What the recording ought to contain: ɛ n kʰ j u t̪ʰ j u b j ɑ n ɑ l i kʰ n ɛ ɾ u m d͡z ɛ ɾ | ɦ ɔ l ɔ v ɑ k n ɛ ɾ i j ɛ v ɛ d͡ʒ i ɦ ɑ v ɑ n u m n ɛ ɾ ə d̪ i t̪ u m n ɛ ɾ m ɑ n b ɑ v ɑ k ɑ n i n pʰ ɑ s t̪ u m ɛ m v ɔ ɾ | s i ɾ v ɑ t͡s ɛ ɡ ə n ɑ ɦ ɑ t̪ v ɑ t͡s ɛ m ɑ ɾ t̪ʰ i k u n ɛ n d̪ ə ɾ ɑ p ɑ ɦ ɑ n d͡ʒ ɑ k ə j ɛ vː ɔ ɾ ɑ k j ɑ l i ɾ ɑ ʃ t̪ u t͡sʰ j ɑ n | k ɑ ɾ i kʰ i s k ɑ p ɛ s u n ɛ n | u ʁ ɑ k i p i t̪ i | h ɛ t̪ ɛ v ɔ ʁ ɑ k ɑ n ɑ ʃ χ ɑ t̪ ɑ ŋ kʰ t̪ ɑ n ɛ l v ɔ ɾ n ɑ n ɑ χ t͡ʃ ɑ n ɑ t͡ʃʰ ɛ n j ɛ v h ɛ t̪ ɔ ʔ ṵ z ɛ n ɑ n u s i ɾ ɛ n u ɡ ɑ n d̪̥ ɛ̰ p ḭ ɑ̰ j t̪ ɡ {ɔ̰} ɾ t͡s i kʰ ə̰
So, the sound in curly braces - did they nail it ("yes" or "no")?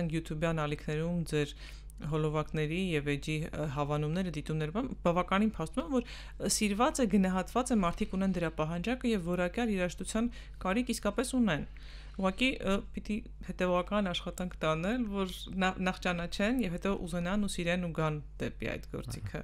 yes